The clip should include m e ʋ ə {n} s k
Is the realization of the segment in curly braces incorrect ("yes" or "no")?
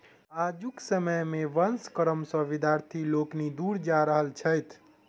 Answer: no